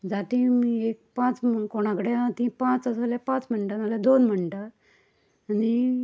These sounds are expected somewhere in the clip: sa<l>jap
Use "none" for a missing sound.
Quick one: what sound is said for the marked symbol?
l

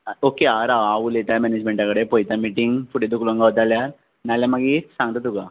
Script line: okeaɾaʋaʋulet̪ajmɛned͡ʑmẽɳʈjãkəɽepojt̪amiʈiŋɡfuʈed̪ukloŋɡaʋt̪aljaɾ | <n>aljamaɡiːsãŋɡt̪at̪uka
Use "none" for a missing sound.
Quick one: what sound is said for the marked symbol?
n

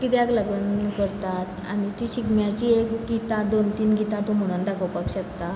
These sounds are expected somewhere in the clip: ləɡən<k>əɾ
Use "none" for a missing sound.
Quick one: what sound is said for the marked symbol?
k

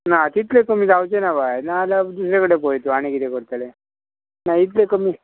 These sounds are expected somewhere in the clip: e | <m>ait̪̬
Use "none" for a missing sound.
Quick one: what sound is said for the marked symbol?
n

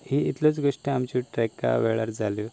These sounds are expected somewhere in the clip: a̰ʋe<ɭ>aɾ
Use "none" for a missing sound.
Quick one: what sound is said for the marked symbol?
ɭ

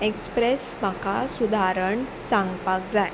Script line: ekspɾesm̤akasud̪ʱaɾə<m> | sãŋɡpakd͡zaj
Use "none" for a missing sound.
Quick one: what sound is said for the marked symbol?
ɳ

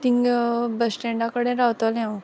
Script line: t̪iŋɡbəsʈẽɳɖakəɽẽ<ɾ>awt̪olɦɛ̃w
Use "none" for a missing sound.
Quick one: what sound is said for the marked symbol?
ɾ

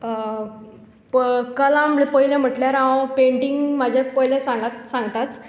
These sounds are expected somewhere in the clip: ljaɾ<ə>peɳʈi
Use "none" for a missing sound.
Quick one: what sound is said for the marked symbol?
a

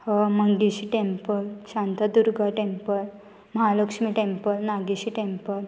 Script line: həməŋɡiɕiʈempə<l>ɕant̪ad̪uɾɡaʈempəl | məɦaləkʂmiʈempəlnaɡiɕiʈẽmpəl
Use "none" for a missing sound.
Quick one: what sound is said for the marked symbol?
l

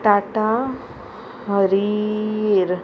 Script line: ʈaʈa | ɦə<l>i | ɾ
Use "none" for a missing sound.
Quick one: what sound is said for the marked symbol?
ɾ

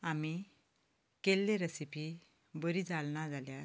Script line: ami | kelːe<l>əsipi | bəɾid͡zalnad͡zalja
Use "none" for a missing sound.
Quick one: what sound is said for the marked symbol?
ɾ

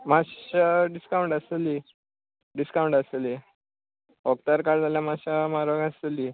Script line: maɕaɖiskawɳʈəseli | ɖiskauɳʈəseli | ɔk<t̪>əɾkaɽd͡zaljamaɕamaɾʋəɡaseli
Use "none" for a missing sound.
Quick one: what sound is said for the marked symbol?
t̪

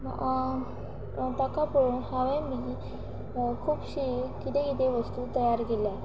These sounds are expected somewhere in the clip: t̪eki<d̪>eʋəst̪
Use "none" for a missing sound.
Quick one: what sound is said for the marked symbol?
t̪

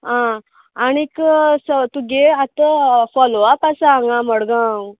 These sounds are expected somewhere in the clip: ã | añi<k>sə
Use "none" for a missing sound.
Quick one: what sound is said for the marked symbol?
k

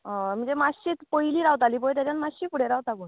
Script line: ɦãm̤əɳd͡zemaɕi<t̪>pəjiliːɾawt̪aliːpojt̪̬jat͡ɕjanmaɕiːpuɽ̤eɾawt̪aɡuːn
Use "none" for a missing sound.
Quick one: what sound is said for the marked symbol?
t̪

